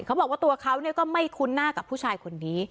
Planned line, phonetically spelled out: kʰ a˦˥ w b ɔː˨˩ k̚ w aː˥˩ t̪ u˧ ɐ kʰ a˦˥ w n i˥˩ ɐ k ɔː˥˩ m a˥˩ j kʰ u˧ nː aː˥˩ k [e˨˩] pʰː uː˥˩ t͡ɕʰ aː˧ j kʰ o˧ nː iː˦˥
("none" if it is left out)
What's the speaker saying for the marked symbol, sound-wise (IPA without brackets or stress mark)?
a˨˩